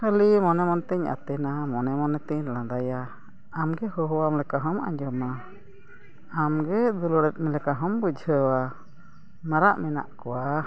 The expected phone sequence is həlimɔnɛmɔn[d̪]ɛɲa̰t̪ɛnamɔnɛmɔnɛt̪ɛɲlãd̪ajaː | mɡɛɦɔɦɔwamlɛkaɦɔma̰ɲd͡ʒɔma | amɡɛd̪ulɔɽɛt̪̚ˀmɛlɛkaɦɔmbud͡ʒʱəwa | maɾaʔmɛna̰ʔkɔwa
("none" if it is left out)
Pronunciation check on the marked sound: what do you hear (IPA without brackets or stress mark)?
t̪